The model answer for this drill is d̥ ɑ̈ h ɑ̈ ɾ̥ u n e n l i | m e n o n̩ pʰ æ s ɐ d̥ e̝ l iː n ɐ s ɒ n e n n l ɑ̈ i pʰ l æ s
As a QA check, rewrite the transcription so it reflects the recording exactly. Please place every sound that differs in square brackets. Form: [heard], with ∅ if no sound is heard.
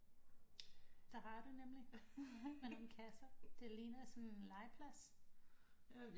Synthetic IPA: d̥ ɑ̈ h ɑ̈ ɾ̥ u n e [m] l i | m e n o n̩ [kʰ] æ s ɐ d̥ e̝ l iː n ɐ s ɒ n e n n l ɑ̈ [ɪ] pʰ l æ s